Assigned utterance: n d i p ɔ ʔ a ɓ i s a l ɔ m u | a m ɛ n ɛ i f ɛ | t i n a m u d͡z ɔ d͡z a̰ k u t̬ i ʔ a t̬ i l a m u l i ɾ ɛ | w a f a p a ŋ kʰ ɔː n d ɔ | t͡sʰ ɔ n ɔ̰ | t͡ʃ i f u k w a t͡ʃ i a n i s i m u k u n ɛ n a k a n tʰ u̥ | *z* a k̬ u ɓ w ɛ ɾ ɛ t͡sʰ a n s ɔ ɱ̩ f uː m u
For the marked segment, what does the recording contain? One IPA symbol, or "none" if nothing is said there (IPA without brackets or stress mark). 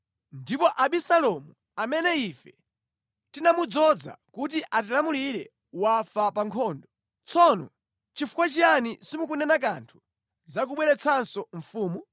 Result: z